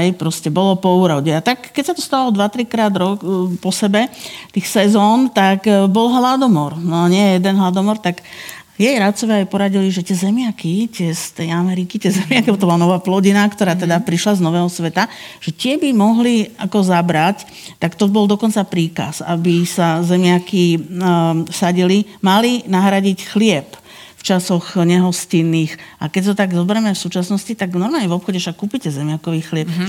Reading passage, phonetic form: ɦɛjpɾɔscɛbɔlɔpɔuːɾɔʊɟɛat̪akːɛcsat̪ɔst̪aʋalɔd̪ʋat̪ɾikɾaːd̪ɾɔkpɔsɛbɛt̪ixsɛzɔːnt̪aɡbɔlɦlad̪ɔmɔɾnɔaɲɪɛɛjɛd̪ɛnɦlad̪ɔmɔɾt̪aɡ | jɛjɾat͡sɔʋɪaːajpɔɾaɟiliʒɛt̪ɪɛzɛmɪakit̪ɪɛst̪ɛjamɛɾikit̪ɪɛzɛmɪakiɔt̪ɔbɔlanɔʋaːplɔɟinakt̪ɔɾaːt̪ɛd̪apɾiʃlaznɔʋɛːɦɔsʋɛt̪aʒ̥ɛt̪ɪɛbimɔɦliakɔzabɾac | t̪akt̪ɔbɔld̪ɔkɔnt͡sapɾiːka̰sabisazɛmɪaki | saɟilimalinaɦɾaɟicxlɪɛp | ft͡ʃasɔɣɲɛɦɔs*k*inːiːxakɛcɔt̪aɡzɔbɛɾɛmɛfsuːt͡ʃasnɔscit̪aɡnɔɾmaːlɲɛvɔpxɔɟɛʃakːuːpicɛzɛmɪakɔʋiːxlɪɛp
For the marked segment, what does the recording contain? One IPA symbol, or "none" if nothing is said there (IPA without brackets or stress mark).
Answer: c